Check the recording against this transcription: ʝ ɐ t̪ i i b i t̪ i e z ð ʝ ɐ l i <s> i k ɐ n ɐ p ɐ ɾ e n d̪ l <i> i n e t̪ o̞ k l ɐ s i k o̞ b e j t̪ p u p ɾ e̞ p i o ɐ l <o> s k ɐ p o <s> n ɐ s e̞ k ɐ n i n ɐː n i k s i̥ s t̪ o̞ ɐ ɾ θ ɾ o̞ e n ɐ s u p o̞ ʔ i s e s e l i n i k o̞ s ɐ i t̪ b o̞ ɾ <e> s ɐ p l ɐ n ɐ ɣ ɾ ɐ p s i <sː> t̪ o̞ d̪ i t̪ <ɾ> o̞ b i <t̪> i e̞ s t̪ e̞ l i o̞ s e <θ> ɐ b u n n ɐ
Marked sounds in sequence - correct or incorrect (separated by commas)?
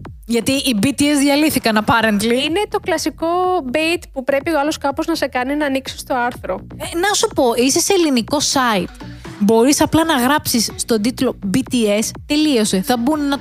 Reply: incorrect, correct, correct, incorrect, incorrect, correct, incorrect, correct, correct